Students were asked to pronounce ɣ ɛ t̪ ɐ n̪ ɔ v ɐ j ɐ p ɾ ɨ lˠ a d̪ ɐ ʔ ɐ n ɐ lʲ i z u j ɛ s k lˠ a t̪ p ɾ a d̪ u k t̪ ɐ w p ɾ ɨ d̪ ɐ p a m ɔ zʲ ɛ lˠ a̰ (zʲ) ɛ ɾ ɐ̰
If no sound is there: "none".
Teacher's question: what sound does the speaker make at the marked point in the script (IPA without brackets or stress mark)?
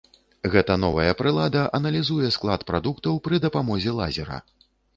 zʲ